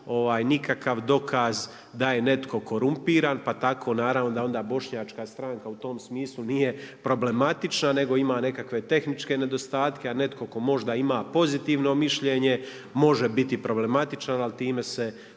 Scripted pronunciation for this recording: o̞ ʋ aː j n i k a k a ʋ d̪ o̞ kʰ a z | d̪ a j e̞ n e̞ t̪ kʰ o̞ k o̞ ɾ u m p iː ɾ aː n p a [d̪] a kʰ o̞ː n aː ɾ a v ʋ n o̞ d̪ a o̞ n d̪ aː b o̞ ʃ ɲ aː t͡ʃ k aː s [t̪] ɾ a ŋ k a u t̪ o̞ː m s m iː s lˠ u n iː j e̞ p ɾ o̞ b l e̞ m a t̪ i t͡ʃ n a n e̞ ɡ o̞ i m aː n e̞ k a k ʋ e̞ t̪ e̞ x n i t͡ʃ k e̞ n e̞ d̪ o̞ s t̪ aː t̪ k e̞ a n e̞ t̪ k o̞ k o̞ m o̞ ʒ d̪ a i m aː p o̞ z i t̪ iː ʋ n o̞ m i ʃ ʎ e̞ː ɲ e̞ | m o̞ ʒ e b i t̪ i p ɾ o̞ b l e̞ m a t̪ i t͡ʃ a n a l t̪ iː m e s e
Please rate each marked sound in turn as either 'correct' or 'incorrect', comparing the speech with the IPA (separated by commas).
incorrect, correct